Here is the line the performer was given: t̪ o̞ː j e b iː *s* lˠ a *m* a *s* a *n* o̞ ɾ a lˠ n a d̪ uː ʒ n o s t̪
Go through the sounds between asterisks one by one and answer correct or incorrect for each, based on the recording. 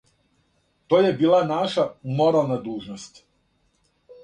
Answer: incorrect: none, incorrect: n, incorrect: ʃ, incorrect: m

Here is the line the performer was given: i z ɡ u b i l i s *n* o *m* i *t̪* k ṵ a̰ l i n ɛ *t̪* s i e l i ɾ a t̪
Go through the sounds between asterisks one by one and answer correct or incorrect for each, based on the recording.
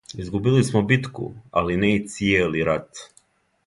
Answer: incorrect: m, incorrect: b, correct, correct

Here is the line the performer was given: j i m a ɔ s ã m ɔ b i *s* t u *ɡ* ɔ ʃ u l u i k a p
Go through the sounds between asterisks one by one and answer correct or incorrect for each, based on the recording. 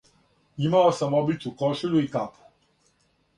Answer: incorrect: none, incorrect: k

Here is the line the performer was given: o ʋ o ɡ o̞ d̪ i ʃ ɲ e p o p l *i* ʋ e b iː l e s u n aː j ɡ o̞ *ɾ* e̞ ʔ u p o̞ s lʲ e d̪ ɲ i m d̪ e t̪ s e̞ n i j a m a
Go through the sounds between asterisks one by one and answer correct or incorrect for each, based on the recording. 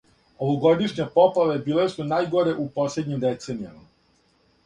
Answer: incorrect: a, correct

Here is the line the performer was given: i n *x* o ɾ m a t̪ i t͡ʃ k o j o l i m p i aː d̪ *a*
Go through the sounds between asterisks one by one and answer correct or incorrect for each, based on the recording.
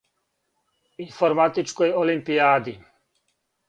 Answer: incorrect: f, incorrect: i

